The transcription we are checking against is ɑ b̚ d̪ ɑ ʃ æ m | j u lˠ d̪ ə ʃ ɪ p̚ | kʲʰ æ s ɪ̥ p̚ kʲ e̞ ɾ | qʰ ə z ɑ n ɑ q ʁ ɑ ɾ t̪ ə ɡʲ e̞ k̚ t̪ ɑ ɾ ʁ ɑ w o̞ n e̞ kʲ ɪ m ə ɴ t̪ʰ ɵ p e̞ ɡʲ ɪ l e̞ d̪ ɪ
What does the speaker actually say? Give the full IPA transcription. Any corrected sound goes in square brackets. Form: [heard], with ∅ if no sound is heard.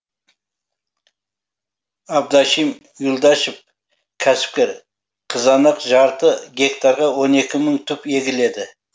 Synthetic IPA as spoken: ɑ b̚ d̪ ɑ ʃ [i] m | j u lˠ d̪ [ɑ] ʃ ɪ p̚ | kʲʰ æ s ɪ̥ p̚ kʲ e̞ ɾ | qʰ ə z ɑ n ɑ q [ʒ] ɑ ɾ t̪ ə ɡʲ e̞ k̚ t̪ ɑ ɾ ʁ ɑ w o̞ n e̞ kʲ ɪ m ə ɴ t̪ʰ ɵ p e̞ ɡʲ ɪ l e̞ d̪ ɪ